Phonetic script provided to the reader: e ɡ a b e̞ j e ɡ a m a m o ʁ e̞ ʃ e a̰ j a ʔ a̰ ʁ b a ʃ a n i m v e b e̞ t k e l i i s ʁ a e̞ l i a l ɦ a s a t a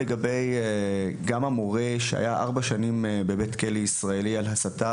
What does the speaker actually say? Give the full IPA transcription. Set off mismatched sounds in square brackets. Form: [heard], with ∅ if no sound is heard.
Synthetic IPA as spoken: e ɡ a b e̞ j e ɡ a m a m o ʁ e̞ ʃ e a̰ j a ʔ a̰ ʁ b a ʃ a n i m [b] e b e̞ t k e l i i s ʁ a e̞ l i a l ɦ a s a t a